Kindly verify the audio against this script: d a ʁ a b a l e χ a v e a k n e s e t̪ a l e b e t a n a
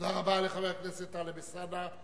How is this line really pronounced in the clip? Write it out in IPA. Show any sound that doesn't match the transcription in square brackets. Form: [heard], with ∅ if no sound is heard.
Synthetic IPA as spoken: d a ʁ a b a l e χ a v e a k n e s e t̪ a l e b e [s] a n a